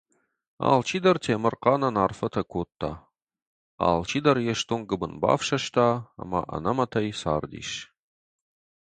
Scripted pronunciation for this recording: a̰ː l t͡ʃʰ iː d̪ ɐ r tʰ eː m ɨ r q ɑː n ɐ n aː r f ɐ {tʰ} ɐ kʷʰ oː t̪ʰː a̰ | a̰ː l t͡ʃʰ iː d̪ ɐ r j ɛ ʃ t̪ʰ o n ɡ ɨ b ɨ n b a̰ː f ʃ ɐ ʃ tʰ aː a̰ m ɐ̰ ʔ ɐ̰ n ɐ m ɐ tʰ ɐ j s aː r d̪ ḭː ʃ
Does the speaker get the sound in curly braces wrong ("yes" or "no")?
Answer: no